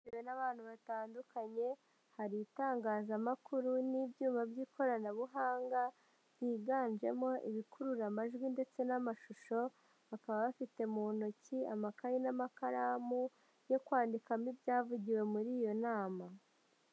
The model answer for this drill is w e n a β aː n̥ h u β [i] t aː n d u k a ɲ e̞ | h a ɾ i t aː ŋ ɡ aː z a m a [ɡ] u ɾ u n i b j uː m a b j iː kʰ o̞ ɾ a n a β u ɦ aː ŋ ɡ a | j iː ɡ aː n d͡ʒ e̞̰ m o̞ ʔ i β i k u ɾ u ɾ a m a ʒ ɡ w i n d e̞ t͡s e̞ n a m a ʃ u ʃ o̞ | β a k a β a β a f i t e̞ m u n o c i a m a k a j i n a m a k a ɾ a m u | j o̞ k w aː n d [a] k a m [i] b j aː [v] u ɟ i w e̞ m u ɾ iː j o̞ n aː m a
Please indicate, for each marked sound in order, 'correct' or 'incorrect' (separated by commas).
incorrect, incorrect, incorrect, correct, correct